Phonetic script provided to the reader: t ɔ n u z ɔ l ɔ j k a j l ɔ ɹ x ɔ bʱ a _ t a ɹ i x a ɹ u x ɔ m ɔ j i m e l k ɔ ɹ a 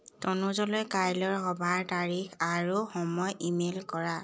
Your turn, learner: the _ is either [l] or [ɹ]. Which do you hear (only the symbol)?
ɹ